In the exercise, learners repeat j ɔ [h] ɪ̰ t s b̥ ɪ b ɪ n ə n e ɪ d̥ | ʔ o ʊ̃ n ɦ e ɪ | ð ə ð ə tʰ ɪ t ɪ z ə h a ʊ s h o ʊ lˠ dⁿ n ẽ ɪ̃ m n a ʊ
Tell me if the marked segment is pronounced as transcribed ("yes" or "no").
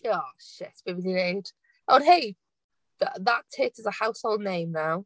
no